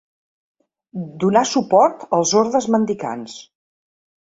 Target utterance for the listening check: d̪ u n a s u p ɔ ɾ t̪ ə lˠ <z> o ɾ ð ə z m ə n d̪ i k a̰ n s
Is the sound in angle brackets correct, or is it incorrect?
correct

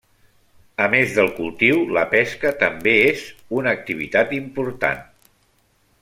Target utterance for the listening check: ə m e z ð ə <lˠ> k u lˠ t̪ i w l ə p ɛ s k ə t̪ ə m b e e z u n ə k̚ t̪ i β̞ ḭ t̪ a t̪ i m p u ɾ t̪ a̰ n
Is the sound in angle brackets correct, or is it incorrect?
correct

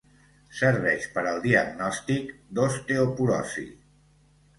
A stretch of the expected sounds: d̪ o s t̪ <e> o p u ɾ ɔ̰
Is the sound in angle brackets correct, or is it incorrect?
correct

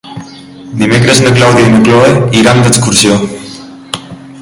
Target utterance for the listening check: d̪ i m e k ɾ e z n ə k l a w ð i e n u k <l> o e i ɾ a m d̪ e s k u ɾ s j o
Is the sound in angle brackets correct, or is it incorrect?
correct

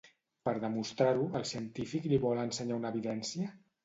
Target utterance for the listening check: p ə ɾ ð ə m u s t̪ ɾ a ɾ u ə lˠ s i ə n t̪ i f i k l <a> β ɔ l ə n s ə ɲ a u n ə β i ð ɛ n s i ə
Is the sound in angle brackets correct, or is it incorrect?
incorrect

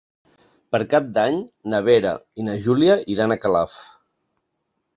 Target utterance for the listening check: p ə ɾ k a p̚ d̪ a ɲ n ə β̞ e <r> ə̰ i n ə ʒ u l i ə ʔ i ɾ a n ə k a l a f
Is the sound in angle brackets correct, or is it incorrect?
incorrect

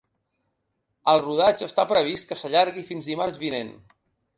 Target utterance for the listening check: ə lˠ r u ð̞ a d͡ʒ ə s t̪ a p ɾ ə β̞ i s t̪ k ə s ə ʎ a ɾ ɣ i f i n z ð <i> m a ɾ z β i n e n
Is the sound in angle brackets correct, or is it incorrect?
correct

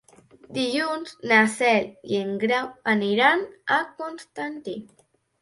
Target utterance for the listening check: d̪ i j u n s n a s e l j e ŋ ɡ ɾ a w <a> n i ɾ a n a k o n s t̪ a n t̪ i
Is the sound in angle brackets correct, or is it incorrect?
correct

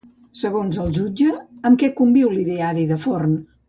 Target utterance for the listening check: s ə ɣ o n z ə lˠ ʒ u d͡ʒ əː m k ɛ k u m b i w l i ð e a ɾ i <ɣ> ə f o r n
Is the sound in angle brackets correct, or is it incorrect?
incorrect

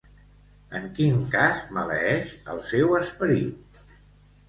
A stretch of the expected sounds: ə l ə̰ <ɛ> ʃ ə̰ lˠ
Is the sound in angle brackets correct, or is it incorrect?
correct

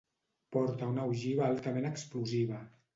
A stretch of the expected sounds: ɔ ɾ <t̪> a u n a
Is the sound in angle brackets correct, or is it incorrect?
correct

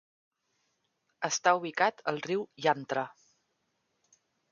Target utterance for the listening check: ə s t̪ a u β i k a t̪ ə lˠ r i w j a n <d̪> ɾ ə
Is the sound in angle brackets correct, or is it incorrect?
incorrect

